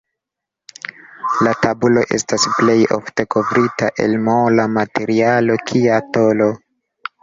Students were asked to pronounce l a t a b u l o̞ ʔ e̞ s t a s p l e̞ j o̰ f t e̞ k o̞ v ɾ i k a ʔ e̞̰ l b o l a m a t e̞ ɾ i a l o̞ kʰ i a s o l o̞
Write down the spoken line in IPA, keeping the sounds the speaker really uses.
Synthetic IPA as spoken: l a t a b u l o̞ ʔ e̞ s t a s p l e̞ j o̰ f t e̞ k o̞ v ɾ i t a ʔ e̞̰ l m o l a m a t e̞ ɾ i a l o̞ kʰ i a t o l o̞